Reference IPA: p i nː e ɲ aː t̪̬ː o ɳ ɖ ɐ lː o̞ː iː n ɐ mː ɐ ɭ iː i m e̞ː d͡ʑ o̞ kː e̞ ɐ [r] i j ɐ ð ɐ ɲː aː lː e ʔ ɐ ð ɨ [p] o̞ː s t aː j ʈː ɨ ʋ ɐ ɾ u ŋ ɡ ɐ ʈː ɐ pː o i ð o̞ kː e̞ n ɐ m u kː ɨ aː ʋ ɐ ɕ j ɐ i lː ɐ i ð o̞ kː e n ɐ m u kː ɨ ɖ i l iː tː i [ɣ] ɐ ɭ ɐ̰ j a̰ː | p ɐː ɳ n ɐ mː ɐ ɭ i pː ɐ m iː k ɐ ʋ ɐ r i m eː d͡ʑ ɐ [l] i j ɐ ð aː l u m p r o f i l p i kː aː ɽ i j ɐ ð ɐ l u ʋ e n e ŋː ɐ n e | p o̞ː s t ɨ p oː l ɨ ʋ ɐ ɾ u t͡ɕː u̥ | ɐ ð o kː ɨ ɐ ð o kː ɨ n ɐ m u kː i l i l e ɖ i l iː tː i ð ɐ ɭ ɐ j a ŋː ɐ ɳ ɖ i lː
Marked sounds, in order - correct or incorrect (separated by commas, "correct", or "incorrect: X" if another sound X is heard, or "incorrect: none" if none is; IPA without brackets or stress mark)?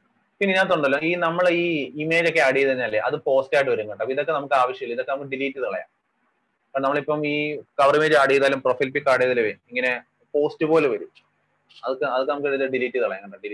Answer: incorrect: ɽ, correct, incorrect: ð, incorrect: ɽ